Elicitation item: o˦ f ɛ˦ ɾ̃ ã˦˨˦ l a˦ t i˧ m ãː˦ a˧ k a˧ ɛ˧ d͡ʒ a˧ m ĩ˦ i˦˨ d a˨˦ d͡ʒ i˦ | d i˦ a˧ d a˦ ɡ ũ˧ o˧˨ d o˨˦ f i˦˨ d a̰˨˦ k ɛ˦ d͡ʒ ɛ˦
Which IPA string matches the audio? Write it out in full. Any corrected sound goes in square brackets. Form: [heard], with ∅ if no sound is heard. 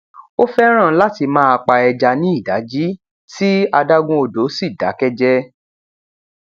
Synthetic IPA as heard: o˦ f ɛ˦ ɾ̃ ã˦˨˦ l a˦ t i˧ m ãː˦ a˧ [k͡p] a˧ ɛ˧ d͡ʒ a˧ [n] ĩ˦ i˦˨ d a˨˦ d͡ʒ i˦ | [t] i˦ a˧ d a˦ ɡ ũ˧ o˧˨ d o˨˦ [s] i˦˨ d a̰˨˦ k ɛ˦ d͡ʒ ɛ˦